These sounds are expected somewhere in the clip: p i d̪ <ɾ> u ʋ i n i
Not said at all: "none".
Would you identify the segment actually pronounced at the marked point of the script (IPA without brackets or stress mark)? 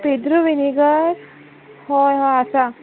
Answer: ɾ